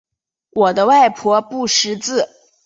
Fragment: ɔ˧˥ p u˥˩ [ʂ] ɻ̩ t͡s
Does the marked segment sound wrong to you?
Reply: no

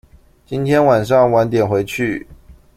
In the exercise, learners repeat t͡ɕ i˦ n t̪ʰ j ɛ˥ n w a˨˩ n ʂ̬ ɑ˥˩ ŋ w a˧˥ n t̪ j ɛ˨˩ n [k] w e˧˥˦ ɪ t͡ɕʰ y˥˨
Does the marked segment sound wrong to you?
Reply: yes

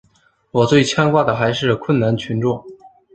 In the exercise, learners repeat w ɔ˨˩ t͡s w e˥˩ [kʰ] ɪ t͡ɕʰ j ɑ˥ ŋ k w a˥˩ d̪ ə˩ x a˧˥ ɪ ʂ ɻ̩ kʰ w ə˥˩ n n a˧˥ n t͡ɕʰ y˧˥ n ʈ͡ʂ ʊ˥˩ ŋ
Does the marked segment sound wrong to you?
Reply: yes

